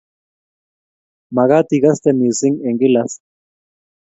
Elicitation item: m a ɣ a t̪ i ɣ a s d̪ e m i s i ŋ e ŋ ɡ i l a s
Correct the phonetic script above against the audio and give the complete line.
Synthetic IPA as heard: m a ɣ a t̪ i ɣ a s t̪ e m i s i ŋ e ŋ ɡ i l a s

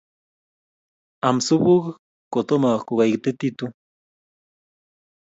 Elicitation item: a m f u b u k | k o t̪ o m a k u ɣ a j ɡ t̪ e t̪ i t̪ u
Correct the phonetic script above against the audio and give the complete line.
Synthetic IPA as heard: a m s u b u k | k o t̪ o m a k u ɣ a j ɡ t̪ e t̪ i t̪ u

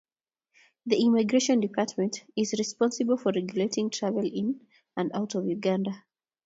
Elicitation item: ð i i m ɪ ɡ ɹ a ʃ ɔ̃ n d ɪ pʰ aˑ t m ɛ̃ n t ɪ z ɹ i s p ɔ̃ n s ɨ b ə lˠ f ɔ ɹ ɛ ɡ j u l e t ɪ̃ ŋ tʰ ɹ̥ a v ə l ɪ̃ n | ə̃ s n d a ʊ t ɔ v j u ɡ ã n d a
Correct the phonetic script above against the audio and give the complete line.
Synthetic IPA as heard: ð i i m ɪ ɡ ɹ e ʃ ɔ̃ n d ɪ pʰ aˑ t m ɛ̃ n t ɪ z ɹ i s p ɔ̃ n s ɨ b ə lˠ f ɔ ɹ ɛ ɡ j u l e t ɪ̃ ŋ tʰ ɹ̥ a v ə l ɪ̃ n | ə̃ n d a ʊ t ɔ v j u ɡ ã n d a

